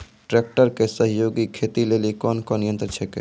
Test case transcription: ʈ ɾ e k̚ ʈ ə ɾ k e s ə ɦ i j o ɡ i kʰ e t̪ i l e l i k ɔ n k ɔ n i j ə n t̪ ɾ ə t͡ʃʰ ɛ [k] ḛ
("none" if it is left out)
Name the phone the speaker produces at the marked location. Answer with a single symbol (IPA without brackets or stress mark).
k